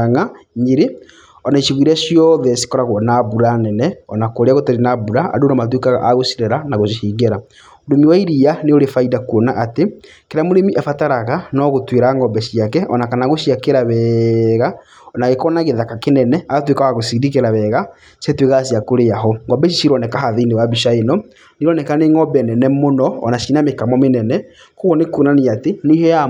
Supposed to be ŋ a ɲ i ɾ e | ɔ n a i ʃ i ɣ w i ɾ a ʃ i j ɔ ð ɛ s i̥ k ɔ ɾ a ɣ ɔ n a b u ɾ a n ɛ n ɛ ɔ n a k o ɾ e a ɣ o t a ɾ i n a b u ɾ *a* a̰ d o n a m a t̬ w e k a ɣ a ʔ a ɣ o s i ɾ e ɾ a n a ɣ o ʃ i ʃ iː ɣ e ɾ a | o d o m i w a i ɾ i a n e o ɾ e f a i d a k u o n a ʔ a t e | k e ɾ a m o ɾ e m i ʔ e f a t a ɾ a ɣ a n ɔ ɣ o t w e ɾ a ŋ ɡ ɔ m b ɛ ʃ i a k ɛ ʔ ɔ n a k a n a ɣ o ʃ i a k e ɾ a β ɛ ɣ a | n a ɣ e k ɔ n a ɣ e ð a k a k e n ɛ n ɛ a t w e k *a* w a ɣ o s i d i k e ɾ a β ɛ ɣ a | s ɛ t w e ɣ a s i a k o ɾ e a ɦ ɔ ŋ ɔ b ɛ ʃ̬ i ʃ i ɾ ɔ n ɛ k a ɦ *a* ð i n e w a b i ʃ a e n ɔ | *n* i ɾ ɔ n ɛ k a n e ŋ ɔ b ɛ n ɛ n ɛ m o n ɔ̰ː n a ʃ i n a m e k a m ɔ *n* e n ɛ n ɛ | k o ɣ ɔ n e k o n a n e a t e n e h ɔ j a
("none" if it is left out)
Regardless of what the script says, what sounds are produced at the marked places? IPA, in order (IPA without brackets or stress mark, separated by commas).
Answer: a, a, a, n, m